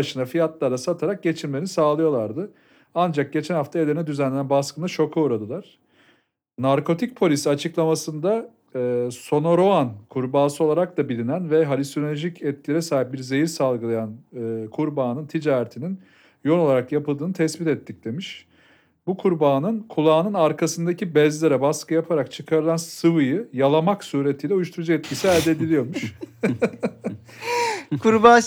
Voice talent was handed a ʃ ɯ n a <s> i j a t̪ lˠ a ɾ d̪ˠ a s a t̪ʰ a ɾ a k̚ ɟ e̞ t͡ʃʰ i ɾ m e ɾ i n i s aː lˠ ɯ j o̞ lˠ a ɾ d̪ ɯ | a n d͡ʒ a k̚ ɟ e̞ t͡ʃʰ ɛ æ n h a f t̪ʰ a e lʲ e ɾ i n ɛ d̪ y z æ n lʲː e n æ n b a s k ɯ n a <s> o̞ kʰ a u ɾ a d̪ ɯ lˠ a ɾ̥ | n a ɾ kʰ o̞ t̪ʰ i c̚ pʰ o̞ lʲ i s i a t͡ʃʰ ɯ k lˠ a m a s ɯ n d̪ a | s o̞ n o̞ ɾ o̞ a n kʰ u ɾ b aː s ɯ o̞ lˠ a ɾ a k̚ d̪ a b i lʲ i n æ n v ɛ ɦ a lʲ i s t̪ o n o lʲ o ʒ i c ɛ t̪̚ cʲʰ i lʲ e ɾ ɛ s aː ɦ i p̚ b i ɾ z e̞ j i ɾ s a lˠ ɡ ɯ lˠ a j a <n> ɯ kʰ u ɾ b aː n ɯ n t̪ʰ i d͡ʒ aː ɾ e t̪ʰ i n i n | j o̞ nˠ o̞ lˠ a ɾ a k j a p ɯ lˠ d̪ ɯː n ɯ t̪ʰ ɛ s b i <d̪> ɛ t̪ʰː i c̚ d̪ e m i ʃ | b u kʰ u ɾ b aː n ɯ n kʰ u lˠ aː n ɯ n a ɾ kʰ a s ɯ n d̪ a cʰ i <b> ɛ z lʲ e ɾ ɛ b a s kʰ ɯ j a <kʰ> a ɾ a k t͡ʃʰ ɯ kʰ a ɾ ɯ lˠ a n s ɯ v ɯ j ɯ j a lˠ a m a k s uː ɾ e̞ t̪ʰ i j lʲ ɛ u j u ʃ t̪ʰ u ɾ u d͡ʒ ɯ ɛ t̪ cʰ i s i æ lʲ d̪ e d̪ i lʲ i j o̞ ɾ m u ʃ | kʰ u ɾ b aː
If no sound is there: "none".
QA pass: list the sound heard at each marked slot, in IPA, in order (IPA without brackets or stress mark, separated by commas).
f, ʃ, n, t̪, b, pʰ